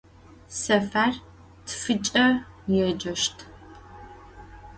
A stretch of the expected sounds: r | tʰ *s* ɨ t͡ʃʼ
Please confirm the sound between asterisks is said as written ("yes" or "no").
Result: no